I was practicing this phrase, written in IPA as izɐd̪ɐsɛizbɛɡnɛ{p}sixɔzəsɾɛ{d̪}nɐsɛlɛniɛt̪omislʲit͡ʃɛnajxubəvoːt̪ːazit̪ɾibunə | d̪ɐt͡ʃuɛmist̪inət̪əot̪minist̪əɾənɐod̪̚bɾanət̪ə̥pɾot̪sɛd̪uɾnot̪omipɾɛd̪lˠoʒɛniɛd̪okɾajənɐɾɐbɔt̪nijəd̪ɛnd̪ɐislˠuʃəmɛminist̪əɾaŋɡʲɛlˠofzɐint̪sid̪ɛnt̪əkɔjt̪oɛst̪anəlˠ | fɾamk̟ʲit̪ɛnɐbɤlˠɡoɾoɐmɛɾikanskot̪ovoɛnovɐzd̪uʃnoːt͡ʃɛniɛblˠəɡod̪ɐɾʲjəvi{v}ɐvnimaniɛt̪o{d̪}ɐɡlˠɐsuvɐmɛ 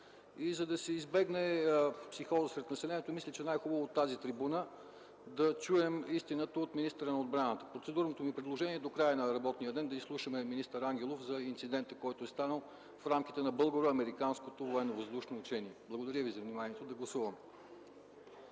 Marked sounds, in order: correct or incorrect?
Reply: correct, incorrect, incorrect, correct

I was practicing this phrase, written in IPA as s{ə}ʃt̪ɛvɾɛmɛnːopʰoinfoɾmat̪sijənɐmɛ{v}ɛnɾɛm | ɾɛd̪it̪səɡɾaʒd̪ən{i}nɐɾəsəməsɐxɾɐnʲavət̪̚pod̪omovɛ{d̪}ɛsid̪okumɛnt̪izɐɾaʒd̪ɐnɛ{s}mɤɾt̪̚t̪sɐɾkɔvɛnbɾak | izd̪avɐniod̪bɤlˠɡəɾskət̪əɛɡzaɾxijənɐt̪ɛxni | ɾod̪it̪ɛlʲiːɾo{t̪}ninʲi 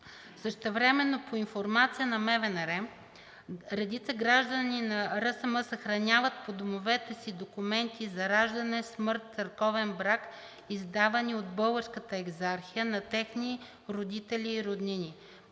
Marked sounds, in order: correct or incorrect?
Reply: correct, correct, correct, incorrect, correct, incorrect

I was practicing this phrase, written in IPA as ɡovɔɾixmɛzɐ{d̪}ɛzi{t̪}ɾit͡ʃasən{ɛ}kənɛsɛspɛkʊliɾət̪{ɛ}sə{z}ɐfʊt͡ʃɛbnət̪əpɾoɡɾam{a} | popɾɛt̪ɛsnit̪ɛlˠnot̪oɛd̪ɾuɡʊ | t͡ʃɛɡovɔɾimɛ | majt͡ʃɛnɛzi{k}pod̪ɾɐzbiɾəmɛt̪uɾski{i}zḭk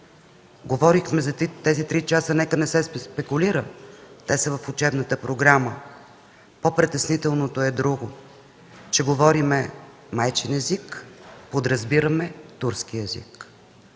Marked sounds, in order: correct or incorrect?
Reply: incorrect, correct, correct, correct, incorrect, incorrect, correct, incorrect

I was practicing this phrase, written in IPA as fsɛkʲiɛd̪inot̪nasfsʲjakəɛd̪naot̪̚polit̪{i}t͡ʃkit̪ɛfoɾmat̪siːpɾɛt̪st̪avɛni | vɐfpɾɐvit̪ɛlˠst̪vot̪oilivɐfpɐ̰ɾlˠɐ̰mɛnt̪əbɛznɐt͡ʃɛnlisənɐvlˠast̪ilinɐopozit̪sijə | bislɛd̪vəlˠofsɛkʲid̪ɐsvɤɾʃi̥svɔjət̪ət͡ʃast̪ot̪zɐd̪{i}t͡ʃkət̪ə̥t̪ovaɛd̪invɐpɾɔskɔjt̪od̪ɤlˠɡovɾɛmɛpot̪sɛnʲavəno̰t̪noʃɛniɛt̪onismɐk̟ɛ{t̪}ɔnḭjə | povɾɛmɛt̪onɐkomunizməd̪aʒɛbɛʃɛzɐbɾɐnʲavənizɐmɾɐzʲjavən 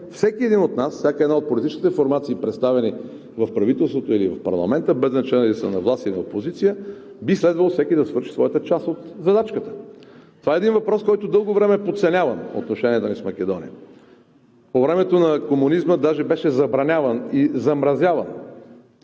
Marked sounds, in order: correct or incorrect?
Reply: correct, incorrect, incorrect

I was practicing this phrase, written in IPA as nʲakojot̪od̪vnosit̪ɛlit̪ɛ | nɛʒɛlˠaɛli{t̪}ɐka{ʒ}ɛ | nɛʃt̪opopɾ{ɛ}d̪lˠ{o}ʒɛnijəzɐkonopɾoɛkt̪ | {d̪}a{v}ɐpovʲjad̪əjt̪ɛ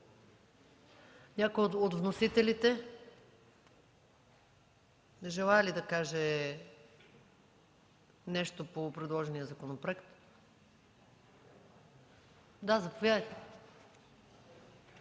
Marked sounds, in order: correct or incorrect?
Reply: incorrect, correct, correct, incorrect, correct, incorrect

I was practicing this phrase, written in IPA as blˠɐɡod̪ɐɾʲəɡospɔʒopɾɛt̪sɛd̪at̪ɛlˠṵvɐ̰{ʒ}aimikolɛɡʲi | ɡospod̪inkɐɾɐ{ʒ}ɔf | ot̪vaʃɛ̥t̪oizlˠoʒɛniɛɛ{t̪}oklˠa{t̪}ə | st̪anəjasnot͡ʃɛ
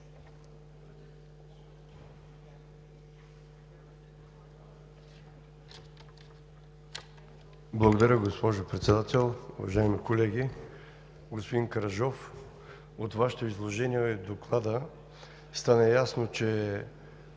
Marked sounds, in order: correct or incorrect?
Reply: correct, correct, incorrect, incorrect

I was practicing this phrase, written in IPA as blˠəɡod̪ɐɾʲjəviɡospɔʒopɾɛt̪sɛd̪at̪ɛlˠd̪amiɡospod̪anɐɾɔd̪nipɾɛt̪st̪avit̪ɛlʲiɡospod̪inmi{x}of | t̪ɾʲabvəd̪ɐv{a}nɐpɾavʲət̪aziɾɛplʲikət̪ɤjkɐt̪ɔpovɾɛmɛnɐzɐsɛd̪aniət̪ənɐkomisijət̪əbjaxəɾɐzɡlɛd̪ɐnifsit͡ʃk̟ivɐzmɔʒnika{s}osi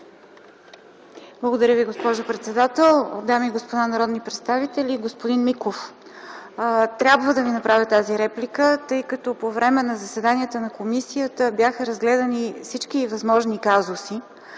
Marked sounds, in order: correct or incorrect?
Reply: incorrect, incorrect, incorrect

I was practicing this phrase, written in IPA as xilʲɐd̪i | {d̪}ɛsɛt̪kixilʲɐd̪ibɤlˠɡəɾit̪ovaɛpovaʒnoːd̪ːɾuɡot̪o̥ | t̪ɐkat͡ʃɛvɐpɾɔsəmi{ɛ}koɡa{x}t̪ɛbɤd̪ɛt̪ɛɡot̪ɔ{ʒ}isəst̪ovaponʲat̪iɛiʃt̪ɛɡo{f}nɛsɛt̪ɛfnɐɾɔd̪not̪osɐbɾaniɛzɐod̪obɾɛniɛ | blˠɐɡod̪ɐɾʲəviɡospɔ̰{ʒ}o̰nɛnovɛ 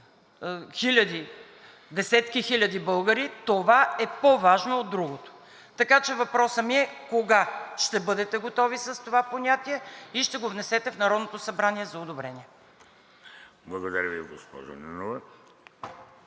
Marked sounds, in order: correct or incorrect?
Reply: correct, correct, incorrect, incorrect, incorrect, correct

